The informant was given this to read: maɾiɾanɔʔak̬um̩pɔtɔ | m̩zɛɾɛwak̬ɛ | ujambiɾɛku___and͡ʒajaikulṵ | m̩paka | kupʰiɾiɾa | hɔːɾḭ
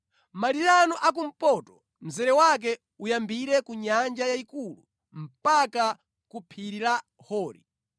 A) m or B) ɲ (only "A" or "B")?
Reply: B